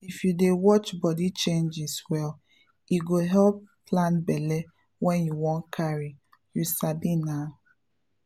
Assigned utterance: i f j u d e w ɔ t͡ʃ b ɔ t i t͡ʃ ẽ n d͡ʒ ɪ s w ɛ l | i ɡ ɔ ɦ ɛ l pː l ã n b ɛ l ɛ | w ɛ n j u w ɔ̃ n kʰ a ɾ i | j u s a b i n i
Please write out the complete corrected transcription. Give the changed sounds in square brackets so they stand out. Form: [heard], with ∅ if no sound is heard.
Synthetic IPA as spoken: i f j u d e w ɔ t͡ʃ b ɔ [d] i t͡ʃ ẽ n d͡ʒ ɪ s w ɛ l | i ɡ [o] ɦ ɛ l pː l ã n b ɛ l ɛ | w ɛ n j u w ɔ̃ n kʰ a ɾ i | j u s a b i n [a]